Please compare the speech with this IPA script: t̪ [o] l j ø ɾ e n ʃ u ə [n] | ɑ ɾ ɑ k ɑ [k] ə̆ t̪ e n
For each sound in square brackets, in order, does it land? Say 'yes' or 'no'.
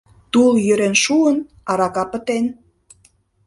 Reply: no, yes, no

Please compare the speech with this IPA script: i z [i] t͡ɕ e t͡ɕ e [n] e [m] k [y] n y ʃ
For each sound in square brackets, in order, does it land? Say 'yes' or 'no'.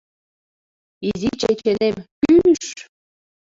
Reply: yes, yes, yes, yes

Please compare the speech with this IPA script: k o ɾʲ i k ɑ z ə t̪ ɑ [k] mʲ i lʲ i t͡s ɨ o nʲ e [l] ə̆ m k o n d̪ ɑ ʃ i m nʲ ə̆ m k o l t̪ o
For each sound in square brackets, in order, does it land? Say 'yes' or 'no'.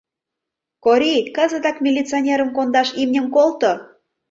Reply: yes, no

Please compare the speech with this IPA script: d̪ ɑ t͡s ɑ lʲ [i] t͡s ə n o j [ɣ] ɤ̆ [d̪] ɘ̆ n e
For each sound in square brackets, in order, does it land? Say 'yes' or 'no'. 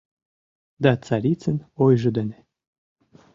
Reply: yes, no, yes

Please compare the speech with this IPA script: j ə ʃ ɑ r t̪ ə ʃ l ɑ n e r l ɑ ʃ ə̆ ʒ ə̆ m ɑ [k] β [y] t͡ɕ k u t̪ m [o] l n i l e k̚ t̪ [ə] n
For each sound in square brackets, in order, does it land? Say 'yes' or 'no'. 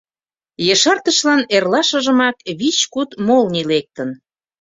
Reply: yes, no, yes, yes

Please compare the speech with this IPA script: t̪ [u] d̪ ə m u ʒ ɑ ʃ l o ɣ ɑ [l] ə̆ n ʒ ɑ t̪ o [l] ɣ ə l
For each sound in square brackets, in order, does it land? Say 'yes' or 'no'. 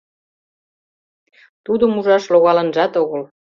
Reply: yes, yes, no

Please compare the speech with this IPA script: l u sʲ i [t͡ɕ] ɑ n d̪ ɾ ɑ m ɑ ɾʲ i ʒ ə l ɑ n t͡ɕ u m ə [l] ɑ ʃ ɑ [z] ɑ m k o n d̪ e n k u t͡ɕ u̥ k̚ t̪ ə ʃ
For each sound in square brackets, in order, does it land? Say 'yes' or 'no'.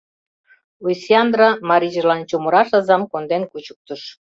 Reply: no, no, yes

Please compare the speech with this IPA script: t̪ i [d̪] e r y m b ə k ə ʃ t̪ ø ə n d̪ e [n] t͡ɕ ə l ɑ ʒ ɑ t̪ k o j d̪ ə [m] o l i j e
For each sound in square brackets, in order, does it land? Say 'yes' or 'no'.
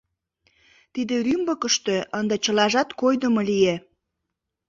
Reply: yes, no, yes

